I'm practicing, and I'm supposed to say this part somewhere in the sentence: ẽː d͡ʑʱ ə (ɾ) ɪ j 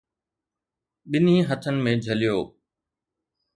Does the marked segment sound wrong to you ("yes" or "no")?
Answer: yes